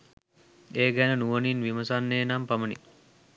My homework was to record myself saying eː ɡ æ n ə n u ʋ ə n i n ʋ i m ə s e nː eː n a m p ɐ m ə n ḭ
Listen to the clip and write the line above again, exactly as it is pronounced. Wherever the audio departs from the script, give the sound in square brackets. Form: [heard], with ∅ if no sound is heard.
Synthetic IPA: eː ɡ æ n ə n u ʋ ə n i n ʋ i m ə s [a] nː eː n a m p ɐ m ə n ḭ